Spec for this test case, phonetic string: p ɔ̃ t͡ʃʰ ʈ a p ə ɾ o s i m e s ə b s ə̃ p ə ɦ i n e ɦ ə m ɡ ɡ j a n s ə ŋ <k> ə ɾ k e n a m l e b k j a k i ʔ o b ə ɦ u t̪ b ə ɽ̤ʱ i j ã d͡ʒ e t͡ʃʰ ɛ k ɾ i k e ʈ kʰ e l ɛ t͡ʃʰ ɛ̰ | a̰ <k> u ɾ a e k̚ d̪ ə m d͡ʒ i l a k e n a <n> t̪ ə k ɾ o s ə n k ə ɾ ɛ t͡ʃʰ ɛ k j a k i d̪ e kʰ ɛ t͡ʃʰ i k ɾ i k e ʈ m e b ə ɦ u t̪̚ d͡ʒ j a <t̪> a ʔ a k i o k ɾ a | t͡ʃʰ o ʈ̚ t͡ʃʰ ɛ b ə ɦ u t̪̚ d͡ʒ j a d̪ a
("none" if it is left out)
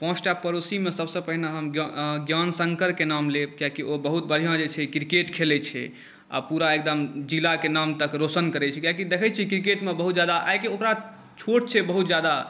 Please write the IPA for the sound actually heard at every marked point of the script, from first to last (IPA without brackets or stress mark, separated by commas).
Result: k, p, m, d̪